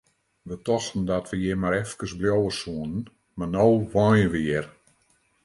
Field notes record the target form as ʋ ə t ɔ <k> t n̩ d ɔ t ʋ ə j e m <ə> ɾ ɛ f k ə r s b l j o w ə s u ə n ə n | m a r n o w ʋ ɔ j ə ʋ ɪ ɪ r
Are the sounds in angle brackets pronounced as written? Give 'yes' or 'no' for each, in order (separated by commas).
no, no